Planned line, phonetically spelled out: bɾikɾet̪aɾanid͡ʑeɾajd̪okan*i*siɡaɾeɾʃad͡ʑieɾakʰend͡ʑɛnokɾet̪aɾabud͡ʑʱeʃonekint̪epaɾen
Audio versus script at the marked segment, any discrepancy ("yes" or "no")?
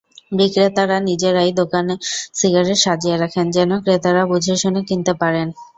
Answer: yes